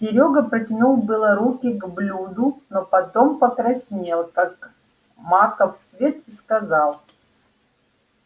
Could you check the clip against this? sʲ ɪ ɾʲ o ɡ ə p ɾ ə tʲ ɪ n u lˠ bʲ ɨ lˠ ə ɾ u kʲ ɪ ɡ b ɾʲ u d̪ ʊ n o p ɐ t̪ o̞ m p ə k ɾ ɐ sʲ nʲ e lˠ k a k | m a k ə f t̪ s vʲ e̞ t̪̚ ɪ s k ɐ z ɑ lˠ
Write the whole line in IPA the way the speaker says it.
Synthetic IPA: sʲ ɪ ɾʲ o ɡ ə p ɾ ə tʲ ɪ n u lˠ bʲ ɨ lˠ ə ɾ u kʲ ɪ ɡ b lʲ u d̪ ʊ n o p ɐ t̪ o̞ m p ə k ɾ ɐ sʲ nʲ e lˠ k a k | m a k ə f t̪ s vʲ e̞ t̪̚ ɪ s k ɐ z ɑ lˠ